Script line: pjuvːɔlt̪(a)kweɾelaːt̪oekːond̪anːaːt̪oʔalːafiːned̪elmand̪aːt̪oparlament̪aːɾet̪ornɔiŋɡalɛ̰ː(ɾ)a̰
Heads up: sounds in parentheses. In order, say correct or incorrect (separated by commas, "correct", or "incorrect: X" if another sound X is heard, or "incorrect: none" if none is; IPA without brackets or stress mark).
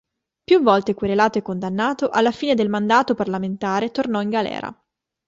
incorrect: e, correct